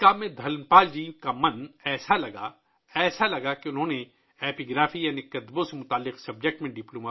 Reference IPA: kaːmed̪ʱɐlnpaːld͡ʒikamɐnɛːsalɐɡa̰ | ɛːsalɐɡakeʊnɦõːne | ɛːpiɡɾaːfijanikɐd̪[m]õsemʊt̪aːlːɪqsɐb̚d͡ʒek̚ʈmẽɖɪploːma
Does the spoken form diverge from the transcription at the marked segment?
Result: yes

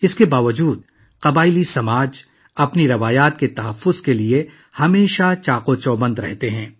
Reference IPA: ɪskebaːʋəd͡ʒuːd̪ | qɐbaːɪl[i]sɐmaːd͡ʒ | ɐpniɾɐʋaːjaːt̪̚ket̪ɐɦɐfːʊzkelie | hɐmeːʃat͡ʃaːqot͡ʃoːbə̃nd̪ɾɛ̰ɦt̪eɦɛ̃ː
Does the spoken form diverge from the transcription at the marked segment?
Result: no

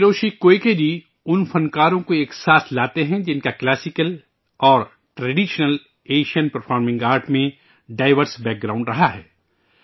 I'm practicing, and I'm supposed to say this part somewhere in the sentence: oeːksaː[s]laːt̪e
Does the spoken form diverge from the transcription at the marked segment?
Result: no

